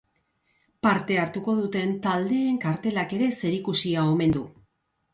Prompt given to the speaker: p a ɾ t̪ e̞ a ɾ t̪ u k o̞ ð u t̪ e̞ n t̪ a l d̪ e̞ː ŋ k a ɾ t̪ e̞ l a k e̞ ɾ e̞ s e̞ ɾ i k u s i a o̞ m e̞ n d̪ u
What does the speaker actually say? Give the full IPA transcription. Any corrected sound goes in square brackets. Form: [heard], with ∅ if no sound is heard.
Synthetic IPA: p a ɾ t̪ e̞ a ɾ t̪ u k o̞ ð u t̪ e̞ n t̪ a l d̪ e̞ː ŋ k a ɾ t̪ e̞ l a k e̞ ɾ e̞ s e̞ ɾ i k u s i a o̞ m e̞ n d̪ u